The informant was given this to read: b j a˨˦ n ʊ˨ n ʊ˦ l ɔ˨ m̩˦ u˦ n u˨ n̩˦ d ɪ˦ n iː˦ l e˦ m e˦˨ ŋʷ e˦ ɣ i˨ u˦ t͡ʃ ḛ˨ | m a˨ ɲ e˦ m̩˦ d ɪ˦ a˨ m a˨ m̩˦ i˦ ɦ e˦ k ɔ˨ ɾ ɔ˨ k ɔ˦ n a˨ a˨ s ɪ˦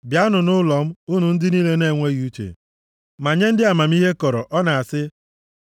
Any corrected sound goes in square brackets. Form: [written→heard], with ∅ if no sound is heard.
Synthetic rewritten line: b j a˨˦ n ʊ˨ n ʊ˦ l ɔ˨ m̩˦ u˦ n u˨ n̩˦ d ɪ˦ n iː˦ l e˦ [m→n] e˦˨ ŋʷ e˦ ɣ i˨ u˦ t͡ʃ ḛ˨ | m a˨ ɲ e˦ [m̩˦→n̩˦] d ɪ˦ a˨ m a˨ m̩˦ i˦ ɦ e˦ k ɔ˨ ɾ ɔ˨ [k→ʔ] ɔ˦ n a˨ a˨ s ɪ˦